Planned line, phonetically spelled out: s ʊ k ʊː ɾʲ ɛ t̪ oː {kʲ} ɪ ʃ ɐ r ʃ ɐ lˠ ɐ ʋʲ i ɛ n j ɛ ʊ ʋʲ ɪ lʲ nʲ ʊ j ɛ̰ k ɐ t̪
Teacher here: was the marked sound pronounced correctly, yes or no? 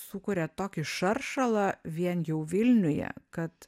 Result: yes